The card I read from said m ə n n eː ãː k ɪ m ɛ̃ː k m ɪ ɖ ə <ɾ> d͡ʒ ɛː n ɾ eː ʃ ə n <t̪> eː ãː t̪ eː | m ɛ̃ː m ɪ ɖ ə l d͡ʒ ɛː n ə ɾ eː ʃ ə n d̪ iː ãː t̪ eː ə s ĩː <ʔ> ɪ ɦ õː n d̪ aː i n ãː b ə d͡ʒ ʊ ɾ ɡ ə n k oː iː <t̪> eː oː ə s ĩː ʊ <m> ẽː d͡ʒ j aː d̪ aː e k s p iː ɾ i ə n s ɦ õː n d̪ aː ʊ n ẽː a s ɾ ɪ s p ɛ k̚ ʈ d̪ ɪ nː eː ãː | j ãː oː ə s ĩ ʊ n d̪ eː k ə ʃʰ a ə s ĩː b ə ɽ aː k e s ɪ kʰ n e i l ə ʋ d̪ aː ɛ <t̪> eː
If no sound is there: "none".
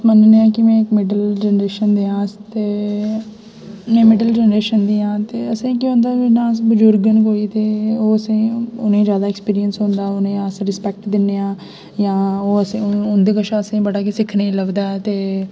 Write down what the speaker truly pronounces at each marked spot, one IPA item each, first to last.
l, d̪, k, t̪, n, t̪

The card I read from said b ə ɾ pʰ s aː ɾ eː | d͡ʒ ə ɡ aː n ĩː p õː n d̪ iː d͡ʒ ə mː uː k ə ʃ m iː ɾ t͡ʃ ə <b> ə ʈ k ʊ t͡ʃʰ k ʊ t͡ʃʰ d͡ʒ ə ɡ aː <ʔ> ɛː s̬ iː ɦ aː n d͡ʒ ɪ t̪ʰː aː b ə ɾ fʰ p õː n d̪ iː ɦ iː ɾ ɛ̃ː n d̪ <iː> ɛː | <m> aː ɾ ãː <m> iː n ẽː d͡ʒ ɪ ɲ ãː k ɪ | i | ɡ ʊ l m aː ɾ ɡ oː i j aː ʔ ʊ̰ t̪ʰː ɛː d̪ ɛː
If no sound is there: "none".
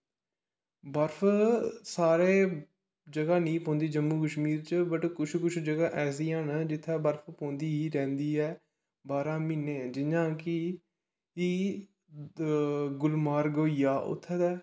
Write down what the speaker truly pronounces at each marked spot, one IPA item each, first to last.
b, ʔ, iː, b, m

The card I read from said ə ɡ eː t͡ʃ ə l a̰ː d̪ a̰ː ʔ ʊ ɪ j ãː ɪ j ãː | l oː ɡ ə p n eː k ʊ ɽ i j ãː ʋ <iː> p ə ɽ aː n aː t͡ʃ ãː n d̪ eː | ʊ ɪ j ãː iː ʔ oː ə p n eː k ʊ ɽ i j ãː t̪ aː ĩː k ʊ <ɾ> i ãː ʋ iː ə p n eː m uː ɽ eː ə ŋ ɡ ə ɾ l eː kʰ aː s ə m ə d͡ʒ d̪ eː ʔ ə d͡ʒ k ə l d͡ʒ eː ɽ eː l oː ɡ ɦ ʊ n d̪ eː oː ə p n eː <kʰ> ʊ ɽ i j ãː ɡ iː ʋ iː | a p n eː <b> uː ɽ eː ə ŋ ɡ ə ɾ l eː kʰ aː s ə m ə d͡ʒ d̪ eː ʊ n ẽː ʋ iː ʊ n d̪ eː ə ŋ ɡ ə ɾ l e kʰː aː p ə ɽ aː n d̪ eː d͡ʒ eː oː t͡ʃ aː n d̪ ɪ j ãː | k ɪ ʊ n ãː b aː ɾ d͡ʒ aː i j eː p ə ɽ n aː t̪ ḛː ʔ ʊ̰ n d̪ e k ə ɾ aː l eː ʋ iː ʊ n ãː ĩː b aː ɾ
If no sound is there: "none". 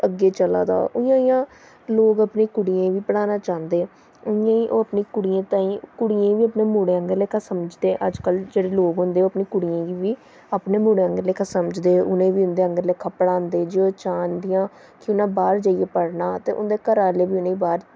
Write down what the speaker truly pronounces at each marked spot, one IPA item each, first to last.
iː, ɽ, k, m

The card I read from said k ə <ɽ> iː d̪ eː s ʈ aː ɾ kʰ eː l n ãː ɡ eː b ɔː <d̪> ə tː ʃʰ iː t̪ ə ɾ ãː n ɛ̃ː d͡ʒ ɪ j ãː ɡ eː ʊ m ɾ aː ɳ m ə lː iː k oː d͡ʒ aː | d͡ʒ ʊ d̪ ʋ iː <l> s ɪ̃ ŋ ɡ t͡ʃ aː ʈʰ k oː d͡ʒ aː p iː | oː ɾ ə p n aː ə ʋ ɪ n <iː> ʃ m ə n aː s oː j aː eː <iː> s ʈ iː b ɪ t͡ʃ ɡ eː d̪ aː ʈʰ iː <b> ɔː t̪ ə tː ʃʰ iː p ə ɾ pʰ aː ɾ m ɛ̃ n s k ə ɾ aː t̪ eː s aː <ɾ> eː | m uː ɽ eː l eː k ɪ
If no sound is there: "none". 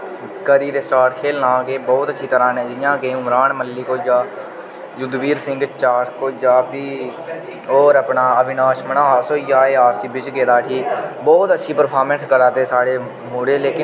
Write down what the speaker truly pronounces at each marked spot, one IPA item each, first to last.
ɾ, t̪, ɾ, aː, aː, b, ɽ

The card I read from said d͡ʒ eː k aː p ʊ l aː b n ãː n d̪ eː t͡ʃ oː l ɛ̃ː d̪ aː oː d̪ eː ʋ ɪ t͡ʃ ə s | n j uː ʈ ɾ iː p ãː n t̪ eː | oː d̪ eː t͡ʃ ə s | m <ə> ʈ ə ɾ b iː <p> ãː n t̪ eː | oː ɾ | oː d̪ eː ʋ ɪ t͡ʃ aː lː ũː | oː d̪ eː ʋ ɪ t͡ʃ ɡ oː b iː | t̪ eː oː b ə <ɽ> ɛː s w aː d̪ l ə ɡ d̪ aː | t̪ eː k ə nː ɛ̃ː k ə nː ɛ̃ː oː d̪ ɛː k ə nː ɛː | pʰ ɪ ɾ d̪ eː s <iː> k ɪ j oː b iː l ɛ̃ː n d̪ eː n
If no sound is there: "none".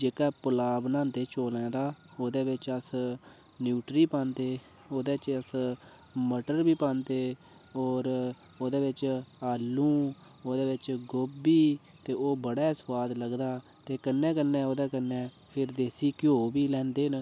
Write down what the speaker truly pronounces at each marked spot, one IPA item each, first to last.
ə, p, ɽ, iː

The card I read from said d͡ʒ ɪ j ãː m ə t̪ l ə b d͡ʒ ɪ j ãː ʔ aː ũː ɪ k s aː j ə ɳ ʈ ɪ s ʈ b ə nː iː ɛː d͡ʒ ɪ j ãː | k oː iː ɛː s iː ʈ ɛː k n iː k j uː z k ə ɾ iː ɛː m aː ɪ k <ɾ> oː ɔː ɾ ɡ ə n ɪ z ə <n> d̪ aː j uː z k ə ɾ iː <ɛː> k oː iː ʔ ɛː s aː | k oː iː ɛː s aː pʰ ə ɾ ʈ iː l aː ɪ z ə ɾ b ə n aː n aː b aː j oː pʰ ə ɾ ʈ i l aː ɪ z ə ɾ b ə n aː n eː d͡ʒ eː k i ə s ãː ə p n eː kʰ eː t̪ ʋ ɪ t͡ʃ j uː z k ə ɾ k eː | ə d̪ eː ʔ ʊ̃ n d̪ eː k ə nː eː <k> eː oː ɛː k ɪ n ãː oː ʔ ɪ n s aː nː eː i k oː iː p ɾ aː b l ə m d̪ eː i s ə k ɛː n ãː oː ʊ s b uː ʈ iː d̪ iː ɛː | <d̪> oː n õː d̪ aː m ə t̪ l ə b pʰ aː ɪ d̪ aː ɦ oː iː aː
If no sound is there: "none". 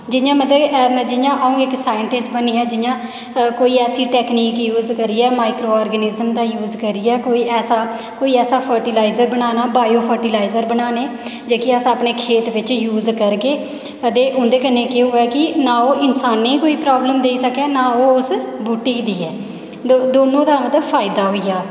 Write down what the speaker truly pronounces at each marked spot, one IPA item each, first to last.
ɾ, m, ɛː, k, d̪

